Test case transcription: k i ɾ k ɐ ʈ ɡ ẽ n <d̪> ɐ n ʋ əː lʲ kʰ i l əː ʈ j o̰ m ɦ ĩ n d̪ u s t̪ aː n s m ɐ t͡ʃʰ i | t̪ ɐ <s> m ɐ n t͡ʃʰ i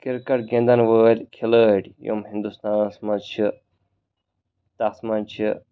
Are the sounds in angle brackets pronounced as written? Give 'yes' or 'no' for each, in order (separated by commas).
yes, yes